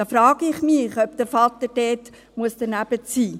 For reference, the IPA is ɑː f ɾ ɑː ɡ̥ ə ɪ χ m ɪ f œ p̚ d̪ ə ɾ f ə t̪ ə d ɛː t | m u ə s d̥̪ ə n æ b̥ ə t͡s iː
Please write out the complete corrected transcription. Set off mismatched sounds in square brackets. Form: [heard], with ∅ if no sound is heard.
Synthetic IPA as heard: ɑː f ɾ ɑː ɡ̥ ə ɪ χ m ɪ [χ] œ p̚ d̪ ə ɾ f [ɑ] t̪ ə d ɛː t | m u ə s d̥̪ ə n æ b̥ ə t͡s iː